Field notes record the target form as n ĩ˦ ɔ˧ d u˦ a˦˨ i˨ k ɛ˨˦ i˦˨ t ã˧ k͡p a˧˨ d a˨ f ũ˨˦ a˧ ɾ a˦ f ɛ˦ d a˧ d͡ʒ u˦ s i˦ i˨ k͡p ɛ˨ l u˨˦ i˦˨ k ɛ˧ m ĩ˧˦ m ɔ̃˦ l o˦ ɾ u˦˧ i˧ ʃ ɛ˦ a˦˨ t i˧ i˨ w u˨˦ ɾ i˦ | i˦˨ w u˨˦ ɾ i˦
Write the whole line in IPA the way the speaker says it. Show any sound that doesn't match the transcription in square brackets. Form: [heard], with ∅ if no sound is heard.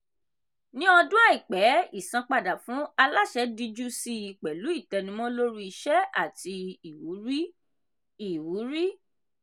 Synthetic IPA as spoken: n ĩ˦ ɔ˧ d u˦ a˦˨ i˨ [k͡p] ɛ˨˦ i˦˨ [s] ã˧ k͡p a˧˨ d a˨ f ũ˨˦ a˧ [l] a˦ [ʃ] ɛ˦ d [i˧] d͡ʒ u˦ s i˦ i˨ k͡p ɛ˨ l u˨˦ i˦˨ [t] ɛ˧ [n] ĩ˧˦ m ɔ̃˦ l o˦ ɾ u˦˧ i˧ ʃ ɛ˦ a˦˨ t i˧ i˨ w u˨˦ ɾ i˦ | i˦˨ w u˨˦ ɾ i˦